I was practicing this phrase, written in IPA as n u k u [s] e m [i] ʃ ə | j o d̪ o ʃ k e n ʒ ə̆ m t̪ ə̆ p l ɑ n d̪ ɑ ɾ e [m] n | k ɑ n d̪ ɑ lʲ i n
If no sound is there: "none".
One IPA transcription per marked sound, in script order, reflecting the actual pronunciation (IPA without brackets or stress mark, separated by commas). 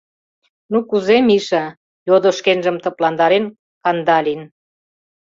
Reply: z, i, none